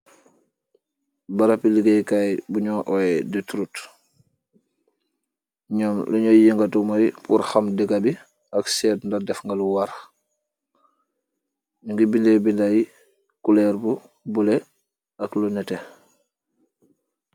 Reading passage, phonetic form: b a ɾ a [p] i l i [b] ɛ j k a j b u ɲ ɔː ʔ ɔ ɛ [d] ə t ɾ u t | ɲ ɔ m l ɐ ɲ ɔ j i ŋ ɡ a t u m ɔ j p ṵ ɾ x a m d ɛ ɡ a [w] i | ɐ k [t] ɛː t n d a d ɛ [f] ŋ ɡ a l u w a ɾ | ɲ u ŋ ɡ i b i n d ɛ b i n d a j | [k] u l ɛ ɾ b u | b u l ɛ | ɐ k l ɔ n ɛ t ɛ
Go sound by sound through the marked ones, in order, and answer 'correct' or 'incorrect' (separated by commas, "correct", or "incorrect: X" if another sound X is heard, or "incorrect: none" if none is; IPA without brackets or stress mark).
correct, incorrect: ɡ, correct, incorrect: b, incorrect: s, correct, correct